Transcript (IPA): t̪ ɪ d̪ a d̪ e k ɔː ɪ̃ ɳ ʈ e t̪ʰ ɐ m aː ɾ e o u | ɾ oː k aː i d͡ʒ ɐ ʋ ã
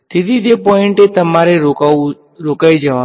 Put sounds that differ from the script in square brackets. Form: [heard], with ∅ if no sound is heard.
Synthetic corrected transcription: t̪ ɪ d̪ [i] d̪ e [p] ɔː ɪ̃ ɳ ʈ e [t̪] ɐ m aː ɾ e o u | ɾ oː k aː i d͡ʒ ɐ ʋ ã